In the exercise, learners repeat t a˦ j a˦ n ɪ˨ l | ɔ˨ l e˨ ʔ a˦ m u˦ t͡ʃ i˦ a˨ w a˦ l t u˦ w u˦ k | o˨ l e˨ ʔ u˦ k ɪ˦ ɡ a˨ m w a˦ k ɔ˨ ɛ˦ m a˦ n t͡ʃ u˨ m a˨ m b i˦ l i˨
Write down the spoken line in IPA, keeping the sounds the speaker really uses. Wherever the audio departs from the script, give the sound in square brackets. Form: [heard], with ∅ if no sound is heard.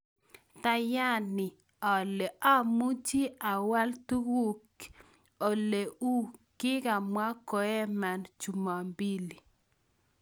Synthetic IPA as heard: t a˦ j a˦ n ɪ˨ [∅] | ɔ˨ l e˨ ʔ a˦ m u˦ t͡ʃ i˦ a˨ w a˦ l t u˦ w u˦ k | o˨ l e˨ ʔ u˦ k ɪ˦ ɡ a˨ m w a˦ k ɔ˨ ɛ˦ m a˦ n t͡ʃ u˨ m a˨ m b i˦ l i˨